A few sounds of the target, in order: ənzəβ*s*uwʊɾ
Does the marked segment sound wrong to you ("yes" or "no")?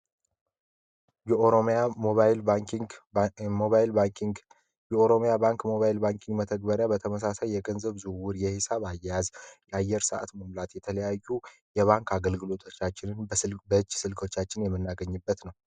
yes